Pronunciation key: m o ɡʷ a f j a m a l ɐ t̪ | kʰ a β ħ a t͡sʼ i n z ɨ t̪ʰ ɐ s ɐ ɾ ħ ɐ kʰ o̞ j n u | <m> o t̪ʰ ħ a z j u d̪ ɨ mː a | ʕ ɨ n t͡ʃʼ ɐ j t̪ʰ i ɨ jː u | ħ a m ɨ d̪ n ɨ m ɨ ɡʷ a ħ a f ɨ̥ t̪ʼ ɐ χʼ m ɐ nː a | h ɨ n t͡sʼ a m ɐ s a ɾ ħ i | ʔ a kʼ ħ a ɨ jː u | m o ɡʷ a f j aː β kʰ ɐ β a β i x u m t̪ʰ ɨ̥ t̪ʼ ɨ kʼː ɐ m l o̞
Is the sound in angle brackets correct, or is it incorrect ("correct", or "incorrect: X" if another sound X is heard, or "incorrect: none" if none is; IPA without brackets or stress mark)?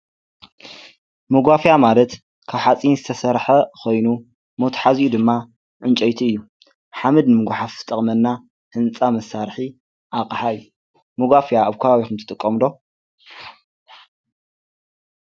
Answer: correct